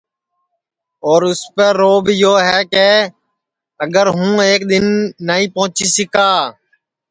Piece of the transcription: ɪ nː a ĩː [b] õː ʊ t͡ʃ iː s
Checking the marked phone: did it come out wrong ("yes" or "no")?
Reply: yes